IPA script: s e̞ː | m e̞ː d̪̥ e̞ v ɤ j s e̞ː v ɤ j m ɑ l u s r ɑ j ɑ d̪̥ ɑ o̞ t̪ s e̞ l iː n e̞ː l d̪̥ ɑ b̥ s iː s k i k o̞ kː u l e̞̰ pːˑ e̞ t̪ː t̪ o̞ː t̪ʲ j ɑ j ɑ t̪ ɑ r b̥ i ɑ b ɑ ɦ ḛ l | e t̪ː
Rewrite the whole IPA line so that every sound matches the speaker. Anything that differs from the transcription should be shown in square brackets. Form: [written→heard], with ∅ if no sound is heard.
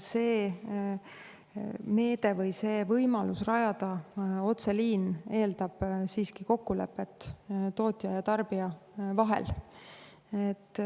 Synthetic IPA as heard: s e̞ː | m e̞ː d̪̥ e̞ v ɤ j s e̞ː v ɤ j m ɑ l u s r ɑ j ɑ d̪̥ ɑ o̞ t̪ s e̞ l iː n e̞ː l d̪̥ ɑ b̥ s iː s k i k o̞ kː u l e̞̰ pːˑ e̞ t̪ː t̪ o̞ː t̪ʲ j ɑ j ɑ t̪ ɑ r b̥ i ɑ [b→v] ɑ ɦ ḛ l | e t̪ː